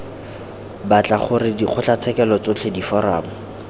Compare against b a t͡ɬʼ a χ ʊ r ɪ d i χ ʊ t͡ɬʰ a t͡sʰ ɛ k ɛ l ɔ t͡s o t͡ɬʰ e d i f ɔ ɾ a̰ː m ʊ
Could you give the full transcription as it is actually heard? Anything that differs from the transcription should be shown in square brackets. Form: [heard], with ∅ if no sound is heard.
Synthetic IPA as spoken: b a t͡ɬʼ a χ ʊ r ɪ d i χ ʊ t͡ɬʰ a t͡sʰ ɛ k ɛ l ɔ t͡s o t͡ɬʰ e d i f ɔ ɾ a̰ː m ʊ